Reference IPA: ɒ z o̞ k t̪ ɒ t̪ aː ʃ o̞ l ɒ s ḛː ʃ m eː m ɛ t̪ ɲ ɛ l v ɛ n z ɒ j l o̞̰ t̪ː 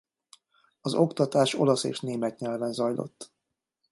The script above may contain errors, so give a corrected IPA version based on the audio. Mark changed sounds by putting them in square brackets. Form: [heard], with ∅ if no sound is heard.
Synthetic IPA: ɒ z o̞ k t̪ ɒ t̪ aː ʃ o̞ l ɒ s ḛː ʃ [n] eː m ɛ t̪ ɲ ɛ l v ɛ n z ɒ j l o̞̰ t̪ː